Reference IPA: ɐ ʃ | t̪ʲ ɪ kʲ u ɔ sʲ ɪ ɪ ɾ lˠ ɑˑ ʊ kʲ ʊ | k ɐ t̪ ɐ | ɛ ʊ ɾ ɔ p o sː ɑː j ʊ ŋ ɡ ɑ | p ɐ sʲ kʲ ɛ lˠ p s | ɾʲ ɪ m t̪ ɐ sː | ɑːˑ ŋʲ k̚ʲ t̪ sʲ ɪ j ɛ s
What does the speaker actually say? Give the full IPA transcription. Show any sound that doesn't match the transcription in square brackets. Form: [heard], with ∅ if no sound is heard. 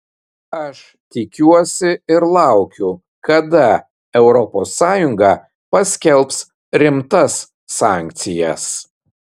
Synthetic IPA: ɐ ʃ | t̪ʲ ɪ kʲ u ɔ sʲ ɪ ɪ ɾ lˠ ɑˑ ʊ kʲ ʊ | k ɐ [d̪] ɐ | ɛ ʊ ɾ ɔ p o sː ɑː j ʊ ŋ ɡ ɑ | p ɐ sʲ kʲ ɛ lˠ p s | ɾʲ ɪ m t̪ ɐ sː | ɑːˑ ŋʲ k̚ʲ t̪ sʲ ɪ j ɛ s